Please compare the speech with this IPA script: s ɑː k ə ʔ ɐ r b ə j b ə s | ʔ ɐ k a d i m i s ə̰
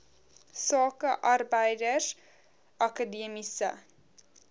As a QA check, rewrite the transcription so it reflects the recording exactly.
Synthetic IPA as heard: s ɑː k ə ʔ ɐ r b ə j d ə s | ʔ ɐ k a d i m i s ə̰

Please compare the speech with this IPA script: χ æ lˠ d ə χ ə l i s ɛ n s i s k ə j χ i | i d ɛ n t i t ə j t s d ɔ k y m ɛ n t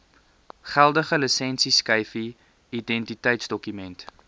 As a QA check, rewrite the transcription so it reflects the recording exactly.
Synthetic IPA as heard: χ æ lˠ d ə χ ə l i s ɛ n s i s k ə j f i | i d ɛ n t i t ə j t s d ɔ k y m ɛ n t

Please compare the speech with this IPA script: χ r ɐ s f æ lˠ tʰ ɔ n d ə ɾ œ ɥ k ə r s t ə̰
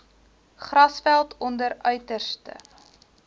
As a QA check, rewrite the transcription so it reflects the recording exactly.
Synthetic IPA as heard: χ r ɐ s f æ lˠ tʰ ɔ n d ə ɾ œ ɥ t ə r s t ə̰

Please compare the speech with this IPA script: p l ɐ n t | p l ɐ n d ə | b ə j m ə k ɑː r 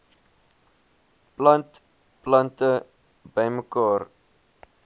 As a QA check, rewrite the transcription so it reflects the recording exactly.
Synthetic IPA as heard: p l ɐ n t | p l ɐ n t ə | b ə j m ə k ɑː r

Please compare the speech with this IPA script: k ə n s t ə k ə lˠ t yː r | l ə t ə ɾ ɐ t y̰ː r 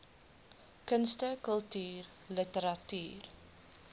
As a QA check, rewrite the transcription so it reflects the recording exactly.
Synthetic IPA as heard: k ə n s t ə k ə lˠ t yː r | l ə t ə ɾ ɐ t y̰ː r

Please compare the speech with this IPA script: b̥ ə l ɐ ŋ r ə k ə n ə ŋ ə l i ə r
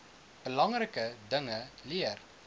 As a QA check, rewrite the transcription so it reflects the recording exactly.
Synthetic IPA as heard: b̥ ə l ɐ ŋ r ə k ə d ə ŋ ə l i ə r

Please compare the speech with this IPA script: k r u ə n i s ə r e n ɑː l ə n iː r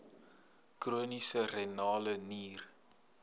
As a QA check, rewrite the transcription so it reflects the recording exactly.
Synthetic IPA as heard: k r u ə n i s ə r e n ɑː l ə n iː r

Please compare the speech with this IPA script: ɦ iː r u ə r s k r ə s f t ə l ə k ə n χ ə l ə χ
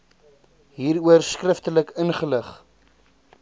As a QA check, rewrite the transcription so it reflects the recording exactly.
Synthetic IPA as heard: ɦ iː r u ə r s k r ə f t ə l ə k ə n χ ə l ə χ

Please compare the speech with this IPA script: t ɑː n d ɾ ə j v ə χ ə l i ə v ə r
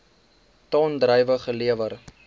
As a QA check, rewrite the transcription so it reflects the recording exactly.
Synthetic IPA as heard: t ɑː n d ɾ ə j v ə χ ə l i ə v ə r

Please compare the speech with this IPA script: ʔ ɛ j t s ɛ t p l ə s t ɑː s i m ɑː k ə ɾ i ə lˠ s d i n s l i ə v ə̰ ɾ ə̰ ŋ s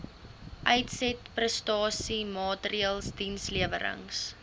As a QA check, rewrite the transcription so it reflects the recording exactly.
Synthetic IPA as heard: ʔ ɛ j t s ɛ t p r ə s t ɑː s i m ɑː t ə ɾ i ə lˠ s d i n s l i ə v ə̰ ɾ ə̰ ŋ s

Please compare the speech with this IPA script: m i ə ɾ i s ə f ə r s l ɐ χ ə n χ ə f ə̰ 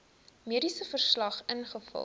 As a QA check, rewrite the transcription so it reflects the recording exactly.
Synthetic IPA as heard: m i ə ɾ i s ə f ə r s l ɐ χ ə n χ ə f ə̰

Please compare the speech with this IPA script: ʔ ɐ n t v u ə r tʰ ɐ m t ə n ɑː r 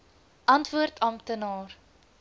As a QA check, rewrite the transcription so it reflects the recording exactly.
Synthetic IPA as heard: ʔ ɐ n t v u ə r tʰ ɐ m t ə n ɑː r

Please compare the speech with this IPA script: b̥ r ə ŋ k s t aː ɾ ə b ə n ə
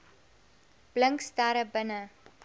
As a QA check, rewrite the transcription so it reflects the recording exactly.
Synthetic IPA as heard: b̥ l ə ŋ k s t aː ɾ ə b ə n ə

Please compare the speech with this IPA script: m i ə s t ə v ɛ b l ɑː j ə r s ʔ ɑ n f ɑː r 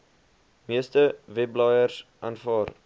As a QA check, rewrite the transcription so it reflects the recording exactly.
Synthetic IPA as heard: m i ə s t ə v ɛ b l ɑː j ə r s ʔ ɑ n f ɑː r

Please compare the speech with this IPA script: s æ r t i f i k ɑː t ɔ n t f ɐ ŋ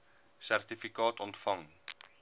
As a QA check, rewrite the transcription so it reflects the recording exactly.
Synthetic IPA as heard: s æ r t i f i k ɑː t ɔ n t f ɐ ŋ

